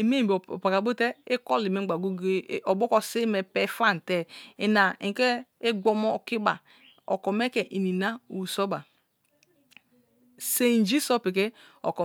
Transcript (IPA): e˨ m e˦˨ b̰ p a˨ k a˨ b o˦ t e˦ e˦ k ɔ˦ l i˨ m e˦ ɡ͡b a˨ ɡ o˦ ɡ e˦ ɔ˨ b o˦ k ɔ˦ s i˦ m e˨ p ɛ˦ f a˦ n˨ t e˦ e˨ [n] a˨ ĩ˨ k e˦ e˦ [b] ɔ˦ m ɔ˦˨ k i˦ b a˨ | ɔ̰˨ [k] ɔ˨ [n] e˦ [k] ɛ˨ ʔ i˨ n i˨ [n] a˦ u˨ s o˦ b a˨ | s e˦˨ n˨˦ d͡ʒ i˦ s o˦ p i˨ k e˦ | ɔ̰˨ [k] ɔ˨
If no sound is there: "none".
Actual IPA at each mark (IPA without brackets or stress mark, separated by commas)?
n, ɡ͡b, k, m, k, n, k